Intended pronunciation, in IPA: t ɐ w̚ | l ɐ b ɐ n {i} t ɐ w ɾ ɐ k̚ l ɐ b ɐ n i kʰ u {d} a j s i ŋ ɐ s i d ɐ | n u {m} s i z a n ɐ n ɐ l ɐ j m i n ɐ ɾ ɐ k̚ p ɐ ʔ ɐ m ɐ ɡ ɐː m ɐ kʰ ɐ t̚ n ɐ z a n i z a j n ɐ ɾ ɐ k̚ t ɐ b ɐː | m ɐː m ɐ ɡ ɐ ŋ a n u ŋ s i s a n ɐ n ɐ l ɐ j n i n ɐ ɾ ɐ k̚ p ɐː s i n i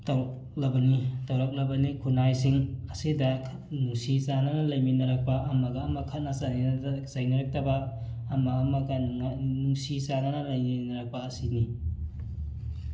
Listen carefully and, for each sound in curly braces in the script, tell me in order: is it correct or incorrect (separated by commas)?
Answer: correct, incorrect, incorrect